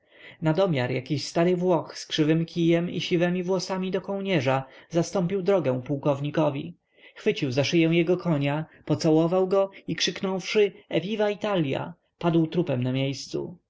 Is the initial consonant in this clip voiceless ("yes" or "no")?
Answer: no